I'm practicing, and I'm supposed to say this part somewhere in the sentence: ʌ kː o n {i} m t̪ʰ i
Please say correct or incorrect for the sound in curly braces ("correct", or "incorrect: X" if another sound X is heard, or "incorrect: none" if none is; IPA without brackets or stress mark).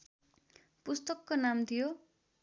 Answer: incorrect: a